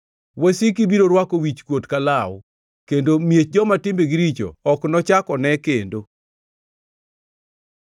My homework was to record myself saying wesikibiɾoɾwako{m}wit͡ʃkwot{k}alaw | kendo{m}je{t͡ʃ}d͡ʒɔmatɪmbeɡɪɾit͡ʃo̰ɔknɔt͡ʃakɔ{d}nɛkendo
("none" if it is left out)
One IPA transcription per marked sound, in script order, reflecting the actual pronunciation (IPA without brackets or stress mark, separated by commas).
none, k, m, t͡ʃ, none